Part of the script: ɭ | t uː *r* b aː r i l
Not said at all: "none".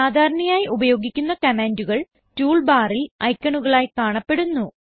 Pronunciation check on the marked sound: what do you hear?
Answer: ɭ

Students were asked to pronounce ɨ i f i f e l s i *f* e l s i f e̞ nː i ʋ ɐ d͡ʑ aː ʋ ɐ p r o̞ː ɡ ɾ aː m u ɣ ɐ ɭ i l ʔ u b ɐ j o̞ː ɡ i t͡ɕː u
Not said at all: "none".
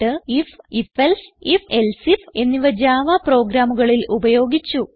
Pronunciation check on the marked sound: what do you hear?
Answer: f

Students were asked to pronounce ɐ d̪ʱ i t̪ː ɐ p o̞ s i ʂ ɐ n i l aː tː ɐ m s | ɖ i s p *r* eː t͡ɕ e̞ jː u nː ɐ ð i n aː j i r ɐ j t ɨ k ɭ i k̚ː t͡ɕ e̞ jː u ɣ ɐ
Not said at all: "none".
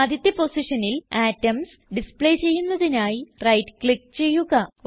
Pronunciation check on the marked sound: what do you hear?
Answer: ɭ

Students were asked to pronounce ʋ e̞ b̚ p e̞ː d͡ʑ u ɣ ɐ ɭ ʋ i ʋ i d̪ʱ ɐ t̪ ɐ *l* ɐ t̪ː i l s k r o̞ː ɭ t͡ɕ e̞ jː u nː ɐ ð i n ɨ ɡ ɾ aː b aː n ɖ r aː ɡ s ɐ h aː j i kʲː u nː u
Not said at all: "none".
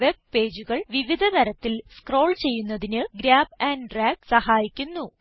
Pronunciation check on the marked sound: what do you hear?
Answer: ɾ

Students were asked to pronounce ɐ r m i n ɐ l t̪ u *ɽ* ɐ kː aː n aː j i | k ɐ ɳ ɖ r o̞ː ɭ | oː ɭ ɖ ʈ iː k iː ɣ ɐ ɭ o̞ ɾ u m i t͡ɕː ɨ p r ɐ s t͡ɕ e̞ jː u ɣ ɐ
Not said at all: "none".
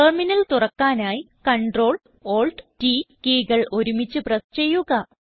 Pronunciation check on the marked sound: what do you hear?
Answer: r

